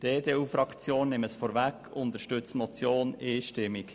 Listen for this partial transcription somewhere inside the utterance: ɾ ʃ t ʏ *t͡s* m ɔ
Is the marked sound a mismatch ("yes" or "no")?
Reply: no